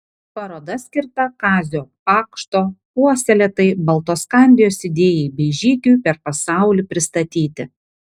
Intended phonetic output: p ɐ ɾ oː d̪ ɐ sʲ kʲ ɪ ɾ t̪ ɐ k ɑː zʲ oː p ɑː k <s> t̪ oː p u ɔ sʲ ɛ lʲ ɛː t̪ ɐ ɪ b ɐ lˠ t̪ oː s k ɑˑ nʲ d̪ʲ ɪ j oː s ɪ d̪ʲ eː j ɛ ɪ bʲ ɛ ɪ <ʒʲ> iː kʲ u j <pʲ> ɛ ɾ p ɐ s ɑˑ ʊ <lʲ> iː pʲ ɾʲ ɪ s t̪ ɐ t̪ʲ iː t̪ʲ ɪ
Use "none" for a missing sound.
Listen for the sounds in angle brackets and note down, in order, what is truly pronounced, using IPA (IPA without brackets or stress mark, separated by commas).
ʃ, ʒʲ, pʲ, lʲ